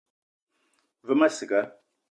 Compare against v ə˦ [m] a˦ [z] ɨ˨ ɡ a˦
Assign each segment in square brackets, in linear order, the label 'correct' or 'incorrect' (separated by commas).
correct, incorrect